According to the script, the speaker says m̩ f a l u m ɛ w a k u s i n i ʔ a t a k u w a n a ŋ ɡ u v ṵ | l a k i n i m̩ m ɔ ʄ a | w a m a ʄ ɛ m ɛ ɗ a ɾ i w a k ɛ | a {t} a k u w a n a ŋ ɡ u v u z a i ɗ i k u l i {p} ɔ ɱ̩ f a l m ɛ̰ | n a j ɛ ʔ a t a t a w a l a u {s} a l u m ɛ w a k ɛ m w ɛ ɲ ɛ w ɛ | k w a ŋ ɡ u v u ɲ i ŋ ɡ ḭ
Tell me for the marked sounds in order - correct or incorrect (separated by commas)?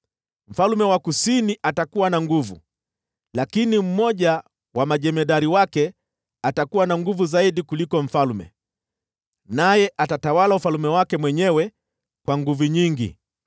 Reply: correct, incorrect, incorrect